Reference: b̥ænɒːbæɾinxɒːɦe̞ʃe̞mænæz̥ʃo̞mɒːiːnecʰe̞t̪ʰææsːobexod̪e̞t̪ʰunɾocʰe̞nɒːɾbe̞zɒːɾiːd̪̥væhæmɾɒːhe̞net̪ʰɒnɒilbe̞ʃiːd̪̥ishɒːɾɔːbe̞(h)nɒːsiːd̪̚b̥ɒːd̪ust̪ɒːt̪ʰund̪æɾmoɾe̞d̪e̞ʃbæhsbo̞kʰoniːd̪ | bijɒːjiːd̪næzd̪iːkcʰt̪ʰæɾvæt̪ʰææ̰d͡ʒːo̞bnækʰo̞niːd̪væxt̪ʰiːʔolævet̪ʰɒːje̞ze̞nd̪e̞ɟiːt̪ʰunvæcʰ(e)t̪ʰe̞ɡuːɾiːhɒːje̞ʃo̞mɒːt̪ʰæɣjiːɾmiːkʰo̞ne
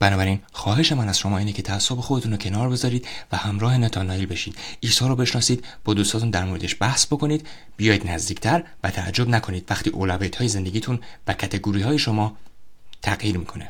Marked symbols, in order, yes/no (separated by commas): no, no